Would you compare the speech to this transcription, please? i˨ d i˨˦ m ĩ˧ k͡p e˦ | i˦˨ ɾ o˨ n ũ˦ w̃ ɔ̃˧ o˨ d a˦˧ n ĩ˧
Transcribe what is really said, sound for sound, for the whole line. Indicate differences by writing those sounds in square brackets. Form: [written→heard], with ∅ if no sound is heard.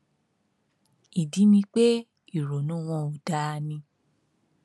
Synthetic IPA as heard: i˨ d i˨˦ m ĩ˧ k͡p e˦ | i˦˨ ɾ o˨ n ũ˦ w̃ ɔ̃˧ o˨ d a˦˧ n ĩ˧

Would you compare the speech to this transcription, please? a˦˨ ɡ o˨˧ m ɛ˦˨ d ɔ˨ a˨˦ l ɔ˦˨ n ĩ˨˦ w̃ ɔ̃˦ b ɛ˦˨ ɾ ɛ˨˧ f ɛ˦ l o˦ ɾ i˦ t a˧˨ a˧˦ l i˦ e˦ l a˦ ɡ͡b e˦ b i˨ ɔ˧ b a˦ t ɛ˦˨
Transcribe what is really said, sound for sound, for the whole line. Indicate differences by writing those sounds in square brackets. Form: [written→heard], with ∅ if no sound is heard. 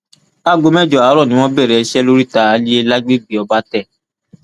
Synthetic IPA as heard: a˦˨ ɡ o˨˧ m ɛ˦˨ [d→d͡ʒ] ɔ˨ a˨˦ [l→ɾ] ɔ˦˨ n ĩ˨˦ w̃ ɔ̃˦ b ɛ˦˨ ɾ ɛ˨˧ [f→ʃ] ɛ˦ l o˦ ɾ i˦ t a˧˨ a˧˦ l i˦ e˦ l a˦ ɡ͡b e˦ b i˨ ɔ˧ b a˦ t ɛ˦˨

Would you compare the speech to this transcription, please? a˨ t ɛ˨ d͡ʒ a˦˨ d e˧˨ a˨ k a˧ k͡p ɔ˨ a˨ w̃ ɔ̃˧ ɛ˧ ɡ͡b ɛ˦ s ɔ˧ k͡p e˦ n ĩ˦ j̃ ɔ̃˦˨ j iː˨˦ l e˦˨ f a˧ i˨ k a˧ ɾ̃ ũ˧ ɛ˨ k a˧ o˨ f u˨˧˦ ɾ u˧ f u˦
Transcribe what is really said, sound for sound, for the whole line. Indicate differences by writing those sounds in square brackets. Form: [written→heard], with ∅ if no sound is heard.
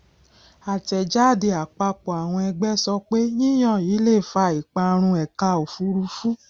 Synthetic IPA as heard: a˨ t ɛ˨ d͡ʒ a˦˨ d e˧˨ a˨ [k→k͡p] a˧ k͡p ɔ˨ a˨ w̃ ɔ̃˧ ɛ˧ ɡ͡b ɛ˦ s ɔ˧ k͡p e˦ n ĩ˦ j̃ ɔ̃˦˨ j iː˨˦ l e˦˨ f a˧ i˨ [k→k͡p] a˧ ɾ̃ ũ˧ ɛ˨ k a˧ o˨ f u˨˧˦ ɾ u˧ f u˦

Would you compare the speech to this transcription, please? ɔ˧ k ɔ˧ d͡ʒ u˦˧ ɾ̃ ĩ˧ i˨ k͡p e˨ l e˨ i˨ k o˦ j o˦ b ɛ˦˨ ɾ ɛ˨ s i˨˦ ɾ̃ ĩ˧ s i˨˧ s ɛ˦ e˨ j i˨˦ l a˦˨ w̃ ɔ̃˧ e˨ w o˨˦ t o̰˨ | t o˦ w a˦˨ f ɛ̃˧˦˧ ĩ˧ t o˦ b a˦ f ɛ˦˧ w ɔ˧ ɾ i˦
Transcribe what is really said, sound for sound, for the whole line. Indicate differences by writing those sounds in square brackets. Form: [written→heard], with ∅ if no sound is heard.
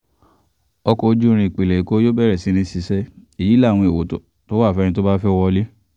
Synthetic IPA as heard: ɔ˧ k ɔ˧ d͡ʒ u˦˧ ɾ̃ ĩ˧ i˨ k͡p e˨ l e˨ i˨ k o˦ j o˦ b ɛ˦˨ ɾ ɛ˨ s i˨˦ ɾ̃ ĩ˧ s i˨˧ s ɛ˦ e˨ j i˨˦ l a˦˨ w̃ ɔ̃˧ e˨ w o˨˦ t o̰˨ | t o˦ w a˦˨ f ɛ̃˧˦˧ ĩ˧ t o˦ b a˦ f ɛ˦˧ w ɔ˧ [ɾ→l] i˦

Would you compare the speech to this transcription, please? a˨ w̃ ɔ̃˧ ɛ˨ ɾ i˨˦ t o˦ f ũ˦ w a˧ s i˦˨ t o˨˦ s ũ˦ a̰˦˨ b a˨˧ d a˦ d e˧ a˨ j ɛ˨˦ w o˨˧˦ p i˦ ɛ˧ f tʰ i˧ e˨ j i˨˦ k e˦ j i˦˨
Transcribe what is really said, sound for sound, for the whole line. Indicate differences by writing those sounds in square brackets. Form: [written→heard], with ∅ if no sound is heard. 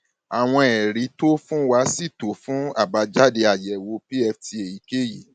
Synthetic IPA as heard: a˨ w̃ ɔ̃˧ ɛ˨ ɾ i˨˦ t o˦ f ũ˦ w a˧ s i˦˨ t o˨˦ [s→f] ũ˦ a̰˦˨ b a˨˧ [d→d͡ʒ] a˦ d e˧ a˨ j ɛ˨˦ w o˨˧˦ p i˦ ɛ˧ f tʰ i˧ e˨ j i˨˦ k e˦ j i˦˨

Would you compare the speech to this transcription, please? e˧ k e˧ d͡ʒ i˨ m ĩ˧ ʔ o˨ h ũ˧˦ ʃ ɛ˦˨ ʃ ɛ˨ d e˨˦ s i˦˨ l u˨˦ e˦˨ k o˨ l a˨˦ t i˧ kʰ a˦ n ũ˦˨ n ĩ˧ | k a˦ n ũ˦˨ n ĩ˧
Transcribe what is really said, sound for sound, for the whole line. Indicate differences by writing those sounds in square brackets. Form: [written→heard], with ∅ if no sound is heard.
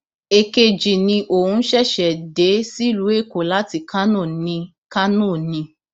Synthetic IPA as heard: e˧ k e˧ d͡ʒ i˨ [m→n] ĩ˧ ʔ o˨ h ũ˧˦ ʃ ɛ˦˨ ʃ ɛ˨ d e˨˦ s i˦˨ l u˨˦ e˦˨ k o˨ l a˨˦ t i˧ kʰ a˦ n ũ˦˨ n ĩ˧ | k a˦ n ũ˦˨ n ĩ˧

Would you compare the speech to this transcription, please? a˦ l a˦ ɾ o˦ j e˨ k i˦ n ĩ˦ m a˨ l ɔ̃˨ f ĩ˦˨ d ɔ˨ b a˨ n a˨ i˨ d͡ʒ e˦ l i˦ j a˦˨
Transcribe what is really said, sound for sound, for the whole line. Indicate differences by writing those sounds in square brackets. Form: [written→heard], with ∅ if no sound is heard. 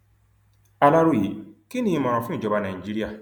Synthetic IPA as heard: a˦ l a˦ ɾ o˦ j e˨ k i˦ n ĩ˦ m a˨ [l→ɾ] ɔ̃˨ f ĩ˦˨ [d→d͡ʒ] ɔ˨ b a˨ n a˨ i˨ d͡ʒ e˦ [l→ɾ] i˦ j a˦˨

